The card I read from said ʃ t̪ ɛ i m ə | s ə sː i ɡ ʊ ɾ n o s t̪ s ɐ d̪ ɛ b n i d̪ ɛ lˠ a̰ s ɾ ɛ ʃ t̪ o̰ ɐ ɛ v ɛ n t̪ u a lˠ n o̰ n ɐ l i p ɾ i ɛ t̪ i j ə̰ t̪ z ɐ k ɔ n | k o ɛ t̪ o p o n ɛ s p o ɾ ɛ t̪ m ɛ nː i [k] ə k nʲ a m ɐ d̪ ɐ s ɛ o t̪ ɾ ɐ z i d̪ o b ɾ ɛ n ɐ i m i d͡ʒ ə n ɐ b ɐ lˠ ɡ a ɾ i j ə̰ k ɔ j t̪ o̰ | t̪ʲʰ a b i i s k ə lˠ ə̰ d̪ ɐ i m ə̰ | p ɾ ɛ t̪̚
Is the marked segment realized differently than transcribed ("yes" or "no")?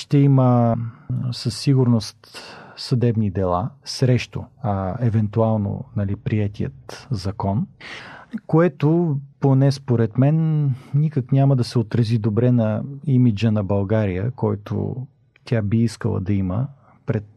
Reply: no